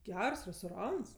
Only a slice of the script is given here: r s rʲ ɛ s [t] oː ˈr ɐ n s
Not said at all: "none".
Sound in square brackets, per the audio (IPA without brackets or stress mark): t